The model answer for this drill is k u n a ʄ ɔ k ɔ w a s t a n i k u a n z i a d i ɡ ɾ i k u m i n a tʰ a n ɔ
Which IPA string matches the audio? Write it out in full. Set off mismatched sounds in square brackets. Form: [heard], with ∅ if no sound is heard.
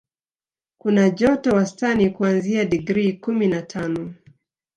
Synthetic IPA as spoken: k u n a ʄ ɔ [t] ɔ w a s t a n i k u a n z i a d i ɡ ɾ i k u m i n a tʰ a n ɔ

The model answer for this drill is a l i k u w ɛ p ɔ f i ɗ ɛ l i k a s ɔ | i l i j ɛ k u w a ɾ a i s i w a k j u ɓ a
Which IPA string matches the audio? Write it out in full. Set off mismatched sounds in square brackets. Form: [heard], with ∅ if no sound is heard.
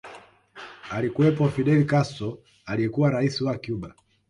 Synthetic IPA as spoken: a l i k u w ɛ p ɔ f i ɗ ɛ l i k a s ɔ | [a] l i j ɛ k u w a ɾ a i s i w a k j u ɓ a

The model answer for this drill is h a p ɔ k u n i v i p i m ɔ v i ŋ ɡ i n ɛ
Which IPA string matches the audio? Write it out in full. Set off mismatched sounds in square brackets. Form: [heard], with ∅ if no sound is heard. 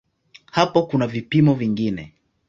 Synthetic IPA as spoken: h a p ɔ k u n [a] v i p i m ɔ v i ŋ ɡ i n ɛ

